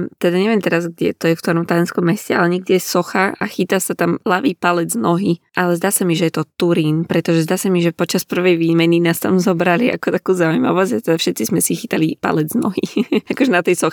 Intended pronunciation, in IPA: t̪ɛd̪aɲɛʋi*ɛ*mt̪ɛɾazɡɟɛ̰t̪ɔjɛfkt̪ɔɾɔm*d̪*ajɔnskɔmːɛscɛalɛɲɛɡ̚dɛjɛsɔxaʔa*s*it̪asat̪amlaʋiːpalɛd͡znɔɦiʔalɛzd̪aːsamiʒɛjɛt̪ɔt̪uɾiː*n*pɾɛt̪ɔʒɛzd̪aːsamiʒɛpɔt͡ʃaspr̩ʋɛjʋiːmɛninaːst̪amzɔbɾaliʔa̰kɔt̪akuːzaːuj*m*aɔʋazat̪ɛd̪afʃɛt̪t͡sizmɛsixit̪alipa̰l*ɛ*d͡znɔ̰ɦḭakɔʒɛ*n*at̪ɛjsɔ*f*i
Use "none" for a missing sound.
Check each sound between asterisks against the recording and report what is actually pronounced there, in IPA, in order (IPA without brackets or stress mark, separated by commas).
ɛ, t̪, x, n, m, ɛ, n, x